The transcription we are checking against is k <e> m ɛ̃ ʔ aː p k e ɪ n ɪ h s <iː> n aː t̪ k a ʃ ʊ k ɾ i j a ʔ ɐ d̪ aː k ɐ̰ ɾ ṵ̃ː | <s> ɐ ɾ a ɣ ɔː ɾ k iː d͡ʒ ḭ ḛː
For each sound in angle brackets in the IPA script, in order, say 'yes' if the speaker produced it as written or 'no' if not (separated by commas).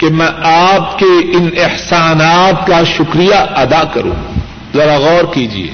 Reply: yes, no, no